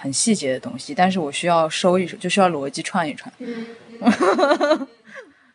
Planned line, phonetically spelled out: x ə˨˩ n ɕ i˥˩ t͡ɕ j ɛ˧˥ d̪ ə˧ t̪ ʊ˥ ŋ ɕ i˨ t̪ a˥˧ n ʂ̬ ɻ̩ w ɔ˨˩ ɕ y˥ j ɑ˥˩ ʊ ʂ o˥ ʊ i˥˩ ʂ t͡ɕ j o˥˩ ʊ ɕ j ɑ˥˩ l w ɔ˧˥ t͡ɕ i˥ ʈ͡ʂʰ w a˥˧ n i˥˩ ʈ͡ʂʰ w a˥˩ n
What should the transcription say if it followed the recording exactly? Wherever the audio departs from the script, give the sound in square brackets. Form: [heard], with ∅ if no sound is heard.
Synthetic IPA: x ə˨˩ n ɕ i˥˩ t͡ɕ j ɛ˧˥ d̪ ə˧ t̪ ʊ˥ ŋ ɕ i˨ t̪ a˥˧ n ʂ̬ ɻ̩ w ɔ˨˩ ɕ y˥ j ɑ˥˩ ʊ ʂ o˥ ʊ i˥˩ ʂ t͡ɕ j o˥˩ ʊ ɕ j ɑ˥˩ l w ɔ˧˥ t͡ɕ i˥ ʈ͡ʂʰ w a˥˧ n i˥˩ ʈ͡ʂʰ w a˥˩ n